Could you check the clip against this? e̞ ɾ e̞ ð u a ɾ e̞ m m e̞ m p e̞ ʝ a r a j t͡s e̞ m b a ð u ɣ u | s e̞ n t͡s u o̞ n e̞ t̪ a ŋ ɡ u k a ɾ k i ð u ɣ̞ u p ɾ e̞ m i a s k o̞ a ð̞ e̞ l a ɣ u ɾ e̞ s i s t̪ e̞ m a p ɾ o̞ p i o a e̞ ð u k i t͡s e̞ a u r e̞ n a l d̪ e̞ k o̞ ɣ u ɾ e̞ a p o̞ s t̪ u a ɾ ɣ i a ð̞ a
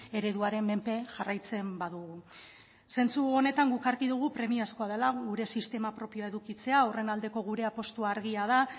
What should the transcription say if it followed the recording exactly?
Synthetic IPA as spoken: e̞ ɾ e̞ ð u a ɾ e̞ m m e̞ m p e̞ ʝ a r a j t͡s e̞ m b a ð u ɣ u | s e̞ n t͡s u o̞ n e̞ t̪ a ŋ ɡ u k a ɾ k i ð u ɣ̞ u p ɾ e̞ m i a s k o̞ a ð̞ e̞ l a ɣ u ɾ e̞ s i s t̪ e̞ m a p ɾ o̞ p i o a e̞ ð u k i t͡s e̞ a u r e̞ n a l d̪ e̞ k o̞ ɣ u ɾ e̞ a p o̞ s t̪ u a ɾ ɣ i a ð̞ a

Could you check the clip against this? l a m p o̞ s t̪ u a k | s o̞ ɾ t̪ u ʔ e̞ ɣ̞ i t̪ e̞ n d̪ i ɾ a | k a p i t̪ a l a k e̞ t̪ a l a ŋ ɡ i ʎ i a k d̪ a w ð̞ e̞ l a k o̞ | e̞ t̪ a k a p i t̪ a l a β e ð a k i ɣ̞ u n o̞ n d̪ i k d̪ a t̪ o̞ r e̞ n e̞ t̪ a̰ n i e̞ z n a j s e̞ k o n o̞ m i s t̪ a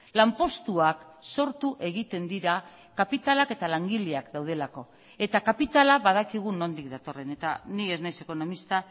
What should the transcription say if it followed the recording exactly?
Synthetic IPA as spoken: l a m p o̞ s t̪ u a k | s o̞ ɾ t̪ u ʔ e̞ ɣ̞ i t̪ e̞ n d̪ i ɾ a | k a p i t̪ a l a k e̞ t̪ a l a ŋ ɡ i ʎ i a k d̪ a w ð̞ e̞ l a k o̞ | e̞ t̪ a k a p i t̪ a l a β a ð a k i ɣ̞ u n o̞ n d̪ i k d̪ a t̪ o̞ r e̞ n e̞ t̪ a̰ n i e̞ z n a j s e̞ k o n o̞ m i s t̪ a

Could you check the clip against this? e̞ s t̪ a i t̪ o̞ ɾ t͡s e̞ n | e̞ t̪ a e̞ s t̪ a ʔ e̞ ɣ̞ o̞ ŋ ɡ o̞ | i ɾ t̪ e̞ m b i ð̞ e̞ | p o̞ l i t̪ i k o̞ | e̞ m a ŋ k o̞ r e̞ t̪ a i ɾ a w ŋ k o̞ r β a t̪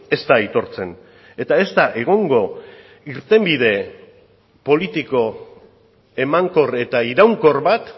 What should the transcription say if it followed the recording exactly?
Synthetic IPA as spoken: e̞ s t̪ a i t̪ o̞ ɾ t͡s e̞ n | e̞ t̪ a e̞ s t̪ a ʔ e̞ ɣ̞ o̞ ŋ ɡ o̞ | i ɾ t̪ e̞ m b i ð̞ e̞ | p o̞ l i t̪ i k o̞ | e̞ m a ŋ k o̞ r e̞ t̪ a i ɾ a w ŋ k o̞ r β a t̪

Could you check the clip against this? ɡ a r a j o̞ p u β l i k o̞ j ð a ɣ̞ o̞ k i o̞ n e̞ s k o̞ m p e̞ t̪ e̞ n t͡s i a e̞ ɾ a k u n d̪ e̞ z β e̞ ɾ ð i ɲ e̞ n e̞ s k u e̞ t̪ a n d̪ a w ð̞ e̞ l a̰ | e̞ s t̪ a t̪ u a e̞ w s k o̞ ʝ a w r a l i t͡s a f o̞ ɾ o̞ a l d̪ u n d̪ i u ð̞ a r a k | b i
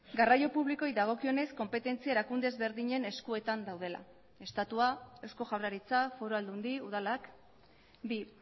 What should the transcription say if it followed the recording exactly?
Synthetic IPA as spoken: ɡ a r a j o̞ p u β l i k o̞ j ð a ɣ̞ o̞ k i o̞ n e̞ s k o̞ m p e̞ t̪ e̞ n t͡s i a e̞ ɾ a k u n d̪ e̞ z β e̞ ɾ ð i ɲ e̞ n e̞ s k u e̞ t̪ a n d̪ a w ð̞ e̞ l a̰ | e̞ s t̪ a t̪ u a e̞ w s k o̞ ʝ a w r a ɾ i t͡s a f o̞ ɾ o̞ a l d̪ u n d̪ i u ð̞ a l a k | b i

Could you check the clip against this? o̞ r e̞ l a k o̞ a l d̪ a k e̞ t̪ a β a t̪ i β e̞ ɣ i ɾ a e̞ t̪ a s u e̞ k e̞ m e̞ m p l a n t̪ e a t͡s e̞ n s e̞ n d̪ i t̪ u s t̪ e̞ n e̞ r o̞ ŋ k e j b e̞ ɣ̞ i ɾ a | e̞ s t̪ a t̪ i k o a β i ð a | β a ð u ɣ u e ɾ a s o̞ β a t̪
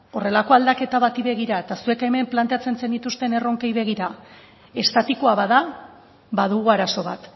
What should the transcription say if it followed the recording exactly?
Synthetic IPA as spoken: o̞ r e̞ l a k o̞ a l d̪ a k e̞ t̪ a β a t̪ i β e̞ ɣ i ɾ a e̞ t̪ a s u e̞ k e̞ m e̞ m p l a n t̪ e a t͡s e̞ n s e̞ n d̪ i t̪ u s t̪ e̞ n e̞ r o̞ ŋ k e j β e̞ ɣ̞ i ɾ a | e̞ s t̪ a t̪ i k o a β a ð a | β a ð u ɣ u a ɾ a s o̞ β a t̪

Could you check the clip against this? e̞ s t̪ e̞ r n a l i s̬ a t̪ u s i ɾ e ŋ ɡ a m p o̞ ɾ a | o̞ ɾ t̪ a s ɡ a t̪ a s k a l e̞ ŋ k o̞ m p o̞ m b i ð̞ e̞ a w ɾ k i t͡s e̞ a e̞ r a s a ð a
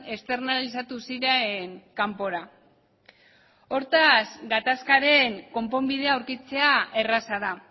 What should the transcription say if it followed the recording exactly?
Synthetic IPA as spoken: e̞ s t̪ e̞ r n a l i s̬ a t̪ u s i ɾ e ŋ k a m p o̞ ɾ a | o̞ ɾ t̪ a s ɡ a t̪ a s k a ɾ e̞ ŋ k o̞ m p o̞ m b i ð̞ e̞ a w ɾ k i t͡s e̞ a e̞ r a s a ð a

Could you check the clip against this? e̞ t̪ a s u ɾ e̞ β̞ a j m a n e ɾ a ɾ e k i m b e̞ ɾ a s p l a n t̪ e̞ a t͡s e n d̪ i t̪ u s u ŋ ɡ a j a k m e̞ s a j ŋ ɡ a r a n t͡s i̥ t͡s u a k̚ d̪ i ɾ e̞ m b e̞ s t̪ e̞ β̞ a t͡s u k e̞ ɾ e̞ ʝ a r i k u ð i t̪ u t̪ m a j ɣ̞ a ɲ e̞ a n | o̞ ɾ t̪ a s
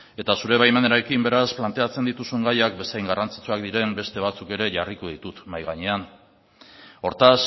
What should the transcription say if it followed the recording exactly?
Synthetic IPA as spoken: e̞ t̪ a s u ɾ e̞ β̞ a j m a n e ɾ a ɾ e k i m b e̞ ɾ a s p l a n t̪ e̞ a t͡s e n d̪ i t̪ u s u ŋ ɡ a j a k b e̞ s a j ŋ ɡ a r a n t͡s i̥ t͡s u a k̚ d̪ i ɾ e̞ m b e̞ s t̪ e̞ β̞ a t͡s u k e̞ ɾ e̞ ʝ a r i k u ð i t̪ u t̪ m a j ɣ̞ a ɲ e̞ a n | o̞ ɾ t̪ a s

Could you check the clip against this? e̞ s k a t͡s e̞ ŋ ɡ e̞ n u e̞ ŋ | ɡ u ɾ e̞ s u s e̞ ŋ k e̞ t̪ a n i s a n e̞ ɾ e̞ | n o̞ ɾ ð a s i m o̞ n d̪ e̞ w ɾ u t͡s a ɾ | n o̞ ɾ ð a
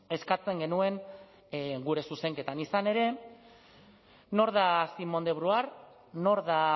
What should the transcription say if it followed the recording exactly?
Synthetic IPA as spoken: e̞ s k a t͡s e̞ ŋ ɡ e̞ n u e̞ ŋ | ɡ u ɾ e̞ s u s e̞ ŋ k e̞ t̪ a n i s a n e̞ ɾ e̞ | n o̞ ɾ ð a s i m o̞ n d̪ e̞ β ɾ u a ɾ | n o̞ ɾ ð a

